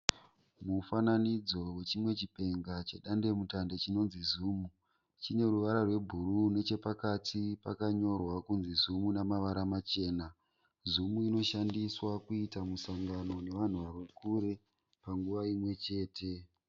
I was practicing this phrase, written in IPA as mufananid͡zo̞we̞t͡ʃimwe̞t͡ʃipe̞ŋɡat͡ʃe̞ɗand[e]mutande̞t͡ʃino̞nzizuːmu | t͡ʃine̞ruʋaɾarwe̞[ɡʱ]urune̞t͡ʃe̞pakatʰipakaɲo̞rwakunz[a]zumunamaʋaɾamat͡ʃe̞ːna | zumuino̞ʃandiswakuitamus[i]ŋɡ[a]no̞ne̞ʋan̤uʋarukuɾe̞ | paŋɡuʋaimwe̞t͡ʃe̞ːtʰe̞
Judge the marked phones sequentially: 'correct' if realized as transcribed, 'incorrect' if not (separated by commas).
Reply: correct, incorrect, incorrect, incorrect, correct